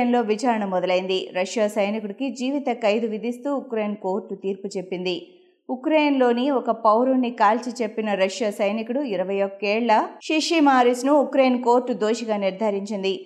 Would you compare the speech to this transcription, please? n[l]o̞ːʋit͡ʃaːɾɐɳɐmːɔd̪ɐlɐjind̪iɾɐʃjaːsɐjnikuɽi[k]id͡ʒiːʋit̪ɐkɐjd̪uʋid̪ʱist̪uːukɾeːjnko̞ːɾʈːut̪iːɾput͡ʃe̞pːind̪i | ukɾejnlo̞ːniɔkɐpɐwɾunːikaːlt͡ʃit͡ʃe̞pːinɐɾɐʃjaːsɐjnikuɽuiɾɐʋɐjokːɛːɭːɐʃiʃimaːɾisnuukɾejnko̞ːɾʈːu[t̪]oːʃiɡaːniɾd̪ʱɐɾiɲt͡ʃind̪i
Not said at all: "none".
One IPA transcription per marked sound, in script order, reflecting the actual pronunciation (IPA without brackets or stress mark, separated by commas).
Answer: l, k, d̪